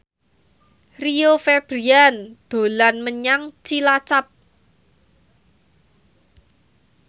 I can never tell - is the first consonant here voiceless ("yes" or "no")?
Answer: no